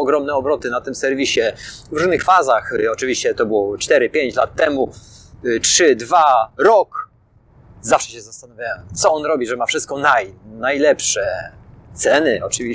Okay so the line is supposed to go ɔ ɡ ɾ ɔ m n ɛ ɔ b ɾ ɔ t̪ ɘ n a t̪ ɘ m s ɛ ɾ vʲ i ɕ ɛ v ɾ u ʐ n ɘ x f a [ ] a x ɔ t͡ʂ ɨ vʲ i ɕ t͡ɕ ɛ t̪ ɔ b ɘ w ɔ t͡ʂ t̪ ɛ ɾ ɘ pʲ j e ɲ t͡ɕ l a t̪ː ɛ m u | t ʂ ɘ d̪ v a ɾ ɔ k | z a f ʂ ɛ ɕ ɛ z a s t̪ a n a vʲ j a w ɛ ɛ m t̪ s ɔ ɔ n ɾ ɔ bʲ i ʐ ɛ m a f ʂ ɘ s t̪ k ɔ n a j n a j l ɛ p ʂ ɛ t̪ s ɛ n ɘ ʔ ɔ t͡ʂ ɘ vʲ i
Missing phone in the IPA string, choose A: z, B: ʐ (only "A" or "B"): A